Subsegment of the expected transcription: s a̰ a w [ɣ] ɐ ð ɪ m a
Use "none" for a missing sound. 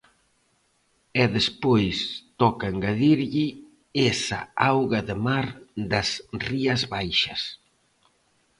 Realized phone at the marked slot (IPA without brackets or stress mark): ɣ